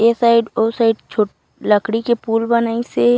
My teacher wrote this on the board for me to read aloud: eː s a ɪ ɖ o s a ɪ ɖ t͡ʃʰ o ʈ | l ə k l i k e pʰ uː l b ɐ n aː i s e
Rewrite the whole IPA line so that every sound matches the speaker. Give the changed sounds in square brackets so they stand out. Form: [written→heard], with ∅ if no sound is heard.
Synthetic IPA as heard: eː s a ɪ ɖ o s a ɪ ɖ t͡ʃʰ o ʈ | l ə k [l→ɽ] i k e [pʰ→p] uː l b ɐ n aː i s e